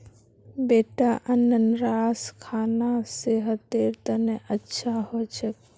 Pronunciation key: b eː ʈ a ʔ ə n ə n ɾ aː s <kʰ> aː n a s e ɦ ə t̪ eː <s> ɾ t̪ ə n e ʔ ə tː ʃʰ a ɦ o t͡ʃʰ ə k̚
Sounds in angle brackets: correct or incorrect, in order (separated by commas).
correct, incorrect